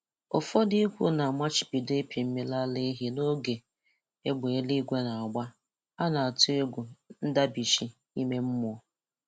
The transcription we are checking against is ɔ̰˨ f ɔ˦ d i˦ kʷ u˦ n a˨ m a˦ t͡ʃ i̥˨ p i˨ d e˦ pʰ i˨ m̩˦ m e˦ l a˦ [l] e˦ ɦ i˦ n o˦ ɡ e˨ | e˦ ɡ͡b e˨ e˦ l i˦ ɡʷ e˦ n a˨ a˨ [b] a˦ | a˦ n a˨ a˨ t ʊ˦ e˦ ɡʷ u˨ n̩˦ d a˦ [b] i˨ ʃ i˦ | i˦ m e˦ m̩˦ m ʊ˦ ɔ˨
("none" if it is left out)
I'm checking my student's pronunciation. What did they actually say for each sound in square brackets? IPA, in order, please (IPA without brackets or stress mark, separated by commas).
l, ɡ͡b, b